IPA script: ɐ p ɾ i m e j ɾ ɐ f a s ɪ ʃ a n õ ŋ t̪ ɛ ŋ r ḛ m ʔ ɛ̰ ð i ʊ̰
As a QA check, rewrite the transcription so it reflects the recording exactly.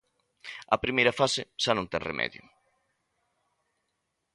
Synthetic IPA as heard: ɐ p ɾ i m e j ɾ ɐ f a s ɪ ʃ a n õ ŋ t̪ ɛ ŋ r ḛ m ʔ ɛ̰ ð j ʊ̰